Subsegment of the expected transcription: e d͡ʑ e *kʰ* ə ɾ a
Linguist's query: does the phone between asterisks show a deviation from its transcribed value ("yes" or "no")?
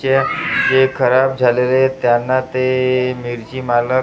no